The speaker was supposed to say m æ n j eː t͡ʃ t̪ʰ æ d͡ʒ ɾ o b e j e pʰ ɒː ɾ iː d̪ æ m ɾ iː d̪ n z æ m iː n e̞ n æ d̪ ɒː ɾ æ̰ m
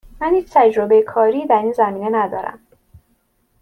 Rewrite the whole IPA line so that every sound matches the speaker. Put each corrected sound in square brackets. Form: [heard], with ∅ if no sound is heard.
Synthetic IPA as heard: m æ n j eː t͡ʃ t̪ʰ æ d͡ʒ ɾ o b e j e [kʰ] ɒː ɾ iː d̪ æ [∅] ɾ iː [∅] n z æ m iː n e̞ n æ d̪ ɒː ɾ æ̰ m